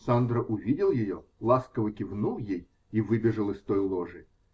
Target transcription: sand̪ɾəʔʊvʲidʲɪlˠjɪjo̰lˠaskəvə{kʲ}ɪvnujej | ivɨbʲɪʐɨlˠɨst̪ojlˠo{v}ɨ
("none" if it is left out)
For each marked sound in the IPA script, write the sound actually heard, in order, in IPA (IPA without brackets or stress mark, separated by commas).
kʲ, ʐ